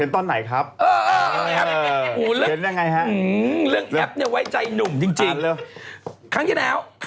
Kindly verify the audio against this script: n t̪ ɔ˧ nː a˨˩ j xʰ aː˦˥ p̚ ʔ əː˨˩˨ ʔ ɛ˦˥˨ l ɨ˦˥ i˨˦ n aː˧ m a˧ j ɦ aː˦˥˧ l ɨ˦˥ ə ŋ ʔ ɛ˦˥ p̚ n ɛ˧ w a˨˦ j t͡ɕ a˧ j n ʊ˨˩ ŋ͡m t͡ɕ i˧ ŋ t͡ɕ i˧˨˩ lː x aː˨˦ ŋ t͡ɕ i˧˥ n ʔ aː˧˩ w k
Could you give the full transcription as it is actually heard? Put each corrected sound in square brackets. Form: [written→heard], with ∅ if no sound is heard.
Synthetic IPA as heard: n t̪ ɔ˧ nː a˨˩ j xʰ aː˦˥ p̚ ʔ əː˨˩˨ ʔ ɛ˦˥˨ l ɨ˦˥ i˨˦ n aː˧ [m→ŋ] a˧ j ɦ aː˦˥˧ l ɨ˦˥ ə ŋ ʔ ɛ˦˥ p̚ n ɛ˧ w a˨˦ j t͡ɕ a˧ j n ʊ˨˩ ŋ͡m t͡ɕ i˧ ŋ t͡ɕ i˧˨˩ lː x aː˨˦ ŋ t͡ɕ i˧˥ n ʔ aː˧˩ w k